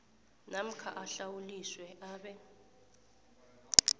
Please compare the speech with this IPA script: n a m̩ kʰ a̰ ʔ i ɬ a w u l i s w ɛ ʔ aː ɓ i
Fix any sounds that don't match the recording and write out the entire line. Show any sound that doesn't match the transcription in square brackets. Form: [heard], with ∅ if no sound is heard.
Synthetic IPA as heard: n a m̩ kʰ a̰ ʔ [a] ɬ a w u l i s w ɛ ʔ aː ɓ [ɛ]